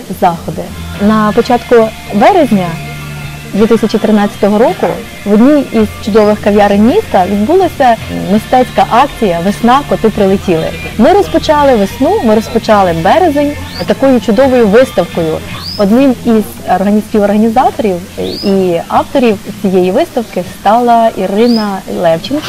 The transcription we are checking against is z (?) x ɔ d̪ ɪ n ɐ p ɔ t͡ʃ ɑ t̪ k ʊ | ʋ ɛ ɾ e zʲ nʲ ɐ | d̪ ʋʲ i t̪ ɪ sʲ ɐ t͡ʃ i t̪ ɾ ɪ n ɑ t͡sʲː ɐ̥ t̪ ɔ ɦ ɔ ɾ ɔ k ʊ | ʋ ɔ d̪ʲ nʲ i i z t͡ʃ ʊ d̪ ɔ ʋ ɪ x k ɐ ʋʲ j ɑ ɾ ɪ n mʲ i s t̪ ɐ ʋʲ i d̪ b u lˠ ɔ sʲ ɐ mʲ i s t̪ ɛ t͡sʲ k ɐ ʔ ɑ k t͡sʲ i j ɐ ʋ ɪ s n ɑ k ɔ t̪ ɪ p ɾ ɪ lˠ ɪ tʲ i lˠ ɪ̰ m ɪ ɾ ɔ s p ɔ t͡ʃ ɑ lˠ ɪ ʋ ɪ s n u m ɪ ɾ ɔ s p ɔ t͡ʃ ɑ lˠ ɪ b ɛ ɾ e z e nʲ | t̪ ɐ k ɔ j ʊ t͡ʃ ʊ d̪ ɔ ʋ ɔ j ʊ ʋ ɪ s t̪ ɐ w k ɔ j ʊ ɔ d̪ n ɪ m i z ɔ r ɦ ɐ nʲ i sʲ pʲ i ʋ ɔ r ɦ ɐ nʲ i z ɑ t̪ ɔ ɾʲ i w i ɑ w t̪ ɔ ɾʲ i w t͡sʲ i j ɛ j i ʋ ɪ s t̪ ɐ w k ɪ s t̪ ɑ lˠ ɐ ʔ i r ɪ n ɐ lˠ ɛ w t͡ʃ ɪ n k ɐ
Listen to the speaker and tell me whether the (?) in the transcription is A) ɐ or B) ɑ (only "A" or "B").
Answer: B